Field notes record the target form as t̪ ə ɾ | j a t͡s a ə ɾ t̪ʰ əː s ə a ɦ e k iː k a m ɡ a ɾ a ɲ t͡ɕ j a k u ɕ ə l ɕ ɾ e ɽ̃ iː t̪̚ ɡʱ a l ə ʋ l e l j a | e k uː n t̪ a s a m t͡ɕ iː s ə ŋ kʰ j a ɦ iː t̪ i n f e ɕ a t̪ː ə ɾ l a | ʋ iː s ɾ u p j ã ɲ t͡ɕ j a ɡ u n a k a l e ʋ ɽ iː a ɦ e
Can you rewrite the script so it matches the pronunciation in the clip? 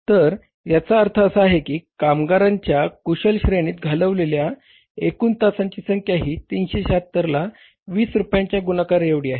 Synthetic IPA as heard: t̪ ə ɾ | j a t͡s a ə ɾ t̪ʰ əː s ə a ɦ e k iː k a m ɡ a ɾ a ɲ t͡ɕ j a k u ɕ ə l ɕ ɾ e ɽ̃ iː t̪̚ ɡʱ a l ə ʋ l e l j a | e k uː n t̪ a s a ɲ t͡ɕ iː s ə ŋ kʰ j a ɦ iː t̪ i n ɕ e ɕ a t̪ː ə ɾ l a | ʋ iː s ɾ u p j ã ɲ t͡ɕ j a ɡ u n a k a ɾ e ʋ ɽ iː a ɦ e